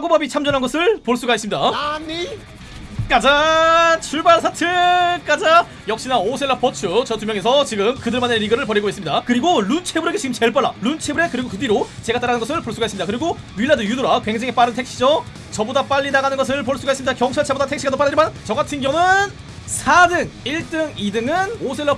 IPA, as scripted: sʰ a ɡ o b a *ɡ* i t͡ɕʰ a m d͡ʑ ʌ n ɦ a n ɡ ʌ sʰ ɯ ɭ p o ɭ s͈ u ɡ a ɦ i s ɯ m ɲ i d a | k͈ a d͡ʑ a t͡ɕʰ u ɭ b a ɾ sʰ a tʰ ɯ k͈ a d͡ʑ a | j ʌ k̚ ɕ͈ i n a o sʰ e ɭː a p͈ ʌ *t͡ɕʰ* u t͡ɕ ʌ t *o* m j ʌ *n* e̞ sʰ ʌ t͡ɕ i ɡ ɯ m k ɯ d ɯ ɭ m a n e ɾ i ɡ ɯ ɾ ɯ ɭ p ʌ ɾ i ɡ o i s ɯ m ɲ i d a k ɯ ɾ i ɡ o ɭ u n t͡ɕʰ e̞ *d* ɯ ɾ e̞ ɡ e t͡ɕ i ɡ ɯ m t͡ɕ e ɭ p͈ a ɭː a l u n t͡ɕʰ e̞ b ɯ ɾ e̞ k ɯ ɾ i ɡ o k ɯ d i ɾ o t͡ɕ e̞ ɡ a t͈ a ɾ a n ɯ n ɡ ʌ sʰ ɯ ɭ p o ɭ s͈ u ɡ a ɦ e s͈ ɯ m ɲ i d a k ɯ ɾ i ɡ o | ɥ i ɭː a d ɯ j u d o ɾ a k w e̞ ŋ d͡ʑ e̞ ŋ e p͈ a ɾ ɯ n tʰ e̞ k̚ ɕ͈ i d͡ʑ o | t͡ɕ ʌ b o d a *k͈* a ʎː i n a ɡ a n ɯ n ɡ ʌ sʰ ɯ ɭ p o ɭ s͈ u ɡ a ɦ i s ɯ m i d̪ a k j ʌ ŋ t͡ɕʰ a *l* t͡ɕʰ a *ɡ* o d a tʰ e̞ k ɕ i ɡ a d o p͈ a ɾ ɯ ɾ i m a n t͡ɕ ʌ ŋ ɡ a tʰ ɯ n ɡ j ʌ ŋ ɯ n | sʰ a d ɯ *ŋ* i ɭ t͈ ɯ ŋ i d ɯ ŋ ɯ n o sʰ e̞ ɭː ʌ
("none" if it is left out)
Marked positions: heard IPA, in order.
b, t͡ɕʰ, u, ŋ, b, p͈, ɭ, b, ŋ

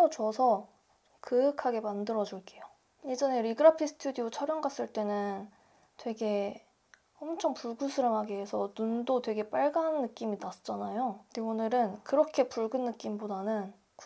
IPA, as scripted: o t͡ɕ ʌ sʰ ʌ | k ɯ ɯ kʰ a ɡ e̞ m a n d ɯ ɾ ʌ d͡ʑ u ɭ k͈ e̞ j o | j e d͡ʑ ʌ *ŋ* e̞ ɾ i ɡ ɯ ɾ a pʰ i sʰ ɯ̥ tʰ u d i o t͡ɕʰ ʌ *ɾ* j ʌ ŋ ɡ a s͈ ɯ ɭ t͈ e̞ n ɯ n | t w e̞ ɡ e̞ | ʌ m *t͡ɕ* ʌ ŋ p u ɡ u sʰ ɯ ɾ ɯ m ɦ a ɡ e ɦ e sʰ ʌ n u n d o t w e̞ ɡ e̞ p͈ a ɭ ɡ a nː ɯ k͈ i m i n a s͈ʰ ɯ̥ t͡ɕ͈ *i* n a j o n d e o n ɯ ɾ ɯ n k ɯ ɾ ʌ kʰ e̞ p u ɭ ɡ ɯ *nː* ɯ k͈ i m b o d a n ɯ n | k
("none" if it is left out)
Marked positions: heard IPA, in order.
n, ɾ, t͡ɕʰ, a, nː

